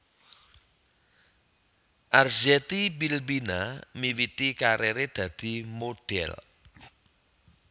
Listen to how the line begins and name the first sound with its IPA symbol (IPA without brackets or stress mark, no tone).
ʔ